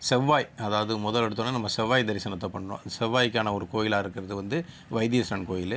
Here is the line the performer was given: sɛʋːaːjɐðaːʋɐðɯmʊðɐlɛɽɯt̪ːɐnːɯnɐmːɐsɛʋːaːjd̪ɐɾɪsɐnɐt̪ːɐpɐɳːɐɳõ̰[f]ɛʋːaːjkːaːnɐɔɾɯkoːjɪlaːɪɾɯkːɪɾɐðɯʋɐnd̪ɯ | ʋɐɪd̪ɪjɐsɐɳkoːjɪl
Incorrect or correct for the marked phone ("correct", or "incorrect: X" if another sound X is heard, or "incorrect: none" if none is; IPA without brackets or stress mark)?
incorrect: s